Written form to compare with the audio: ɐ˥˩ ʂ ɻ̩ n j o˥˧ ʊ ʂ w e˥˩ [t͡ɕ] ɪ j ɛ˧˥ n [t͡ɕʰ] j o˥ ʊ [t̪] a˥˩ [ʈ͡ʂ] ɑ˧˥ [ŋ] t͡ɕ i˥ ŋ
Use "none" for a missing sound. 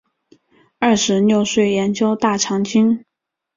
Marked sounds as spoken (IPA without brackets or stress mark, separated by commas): none, t͡ɕ, t̪, ʈ͡ʂʰ, ŋ